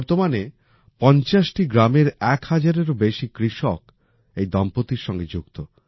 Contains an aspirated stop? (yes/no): no